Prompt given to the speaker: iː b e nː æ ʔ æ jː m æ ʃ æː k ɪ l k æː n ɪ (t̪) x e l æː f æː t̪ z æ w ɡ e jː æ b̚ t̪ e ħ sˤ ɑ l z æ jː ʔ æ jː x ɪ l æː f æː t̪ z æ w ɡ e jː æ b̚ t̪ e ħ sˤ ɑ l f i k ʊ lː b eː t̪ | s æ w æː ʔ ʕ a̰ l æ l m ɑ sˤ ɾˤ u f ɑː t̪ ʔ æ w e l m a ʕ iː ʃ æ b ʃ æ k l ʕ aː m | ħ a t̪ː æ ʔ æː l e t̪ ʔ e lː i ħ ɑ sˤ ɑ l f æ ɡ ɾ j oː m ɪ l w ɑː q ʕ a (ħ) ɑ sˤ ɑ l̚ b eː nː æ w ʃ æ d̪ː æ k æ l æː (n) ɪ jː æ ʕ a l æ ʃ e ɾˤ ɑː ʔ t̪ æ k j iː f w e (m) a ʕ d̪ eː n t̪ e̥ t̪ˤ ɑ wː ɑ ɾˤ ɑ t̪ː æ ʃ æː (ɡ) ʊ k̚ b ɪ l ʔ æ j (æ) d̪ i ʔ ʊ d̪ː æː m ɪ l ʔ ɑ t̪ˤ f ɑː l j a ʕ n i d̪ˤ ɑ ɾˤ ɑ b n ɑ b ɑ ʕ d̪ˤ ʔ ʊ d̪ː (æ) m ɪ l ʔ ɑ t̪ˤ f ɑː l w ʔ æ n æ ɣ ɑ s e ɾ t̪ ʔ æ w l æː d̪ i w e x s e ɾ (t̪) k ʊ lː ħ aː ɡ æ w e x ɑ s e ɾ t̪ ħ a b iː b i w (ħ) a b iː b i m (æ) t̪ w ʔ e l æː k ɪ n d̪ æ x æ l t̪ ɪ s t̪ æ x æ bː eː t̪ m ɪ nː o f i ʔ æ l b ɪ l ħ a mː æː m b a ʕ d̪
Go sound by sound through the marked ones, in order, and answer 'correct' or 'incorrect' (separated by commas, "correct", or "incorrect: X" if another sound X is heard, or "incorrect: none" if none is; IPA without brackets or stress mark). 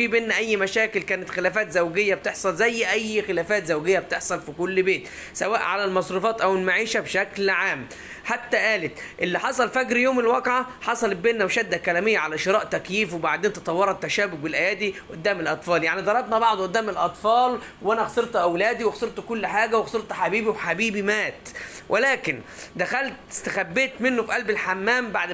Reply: correct, correct, incorrect: m, incorrect: b, incorrect: b, incorrect: æː, incorrect: æː, correct, correct, incorrect: æː